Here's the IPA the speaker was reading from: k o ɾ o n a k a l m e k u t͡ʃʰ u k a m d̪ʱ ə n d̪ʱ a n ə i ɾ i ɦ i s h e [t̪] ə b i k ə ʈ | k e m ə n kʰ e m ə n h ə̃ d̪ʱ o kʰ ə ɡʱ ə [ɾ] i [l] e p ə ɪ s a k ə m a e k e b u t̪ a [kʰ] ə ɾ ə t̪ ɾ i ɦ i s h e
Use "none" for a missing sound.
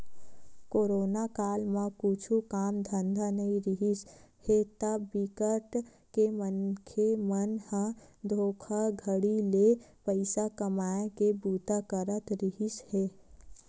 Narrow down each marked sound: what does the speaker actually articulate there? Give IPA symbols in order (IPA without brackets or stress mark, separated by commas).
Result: t̪, ɽ, l, k